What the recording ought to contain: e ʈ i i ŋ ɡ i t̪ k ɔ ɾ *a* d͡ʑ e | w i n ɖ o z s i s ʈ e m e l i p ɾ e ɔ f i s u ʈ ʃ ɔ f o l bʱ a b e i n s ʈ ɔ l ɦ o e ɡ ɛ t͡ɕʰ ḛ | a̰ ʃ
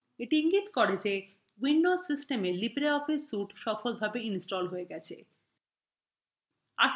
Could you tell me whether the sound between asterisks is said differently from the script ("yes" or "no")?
yes